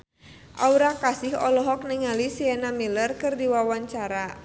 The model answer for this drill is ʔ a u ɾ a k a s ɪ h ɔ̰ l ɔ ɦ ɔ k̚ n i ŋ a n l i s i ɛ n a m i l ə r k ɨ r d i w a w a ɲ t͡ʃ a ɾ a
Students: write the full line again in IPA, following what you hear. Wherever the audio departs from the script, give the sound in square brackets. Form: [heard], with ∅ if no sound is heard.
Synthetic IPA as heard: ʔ a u ɾ a k a s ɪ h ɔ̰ l ɔ ɦ ɔ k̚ n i ŋ a [∅] l i s i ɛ n a m i l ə r k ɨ r d i w a w a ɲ t͡ʃ a ɾ a